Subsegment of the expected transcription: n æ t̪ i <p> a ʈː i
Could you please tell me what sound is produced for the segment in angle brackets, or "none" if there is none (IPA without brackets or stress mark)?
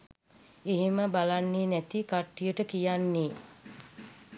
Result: k